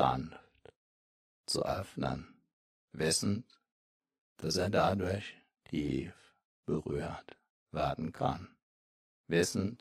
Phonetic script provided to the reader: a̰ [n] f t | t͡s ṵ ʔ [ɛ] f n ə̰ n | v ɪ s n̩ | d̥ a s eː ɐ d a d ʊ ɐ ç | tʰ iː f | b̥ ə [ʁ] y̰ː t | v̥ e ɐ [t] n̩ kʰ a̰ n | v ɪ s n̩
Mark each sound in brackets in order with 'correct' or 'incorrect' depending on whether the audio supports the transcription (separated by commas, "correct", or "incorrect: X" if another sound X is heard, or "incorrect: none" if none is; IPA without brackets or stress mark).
correct, incorrect: œ, correct, incorrect: d